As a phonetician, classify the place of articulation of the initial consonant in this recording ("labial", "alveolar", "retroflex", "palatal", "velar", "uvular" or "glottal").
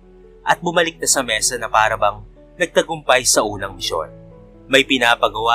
glottal